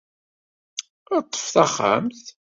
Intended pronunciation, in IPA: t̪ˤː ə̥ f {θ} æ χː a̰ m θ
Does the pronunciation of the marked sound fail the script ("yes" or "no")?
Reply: no